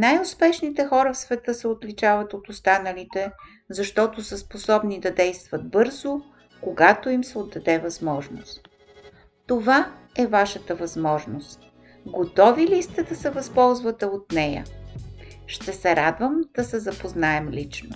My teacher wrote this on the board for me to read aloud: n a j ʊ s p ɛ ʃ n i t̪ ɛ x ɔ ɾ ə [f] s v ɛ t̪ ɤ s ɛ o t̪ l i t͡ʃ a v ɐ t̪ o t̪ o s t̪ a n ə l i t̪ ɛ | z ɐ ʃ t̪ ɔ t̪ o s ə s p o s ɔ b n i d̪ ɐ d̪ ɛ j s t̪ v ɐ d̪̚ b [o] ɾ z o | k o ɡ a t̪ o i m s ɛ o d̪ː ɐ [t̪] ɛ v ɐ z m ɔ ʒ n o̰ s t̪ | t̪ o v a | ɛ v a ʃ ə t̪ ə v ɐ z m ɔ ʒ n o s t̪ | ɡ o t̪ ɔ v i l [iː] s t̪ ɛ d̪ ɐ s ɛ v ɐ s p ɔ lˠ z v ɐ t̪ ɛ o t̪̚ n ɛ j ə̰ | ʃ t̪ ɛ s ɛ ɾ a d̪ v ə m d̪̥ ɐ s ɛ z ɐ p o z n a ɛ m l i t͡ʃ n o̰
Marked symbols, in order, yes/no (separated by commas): yes, no, no, no